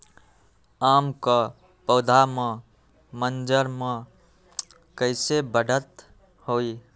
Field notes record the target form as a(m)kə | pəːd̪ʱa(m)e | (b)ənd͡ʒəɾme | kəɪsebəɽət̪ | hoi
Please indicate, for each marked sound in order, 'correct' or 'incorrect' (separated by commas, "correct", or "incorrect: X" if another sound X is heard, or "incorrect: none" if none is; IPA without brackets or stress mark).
correct, correct, incorrect: m